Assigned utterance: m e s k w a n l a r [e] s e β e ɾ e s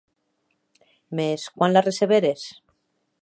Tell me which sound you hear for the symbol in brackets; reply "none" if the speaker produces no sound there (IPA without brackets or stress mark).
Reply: e